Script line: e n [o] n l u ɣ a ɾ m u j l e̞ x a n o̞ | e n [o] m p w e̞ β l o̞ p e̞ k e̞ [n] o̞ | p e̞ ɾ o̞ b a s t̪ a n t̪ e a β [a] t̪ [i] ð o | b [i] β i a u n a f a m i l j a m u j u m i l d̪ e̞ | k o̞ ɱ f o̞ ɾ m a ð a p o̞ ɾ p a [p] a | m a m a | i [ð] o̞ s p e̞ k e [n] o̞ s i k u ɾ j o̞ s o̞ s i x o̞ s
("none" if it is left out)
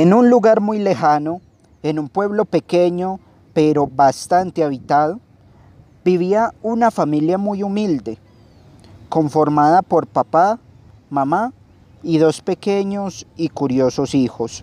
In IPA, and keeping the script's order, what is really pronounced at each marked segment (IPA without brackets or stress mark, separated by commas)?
u, u, ɲ, i, a, i, p, ð, ɲ